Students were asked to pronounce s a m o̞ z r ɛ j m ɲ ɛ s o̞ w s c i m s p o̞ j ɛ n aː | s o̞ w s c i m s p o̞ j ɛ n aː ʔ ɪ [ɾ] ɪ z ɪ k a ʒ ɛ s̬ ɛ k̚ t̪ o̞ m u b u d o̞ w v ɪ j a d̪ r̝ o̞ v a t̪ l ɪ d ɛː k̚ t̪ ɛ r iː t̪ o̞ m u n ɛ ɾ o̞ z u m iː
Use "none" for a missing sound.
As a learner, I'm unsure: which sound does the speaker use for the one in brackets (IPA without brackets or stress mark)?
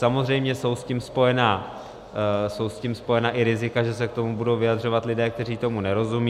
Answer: ɾ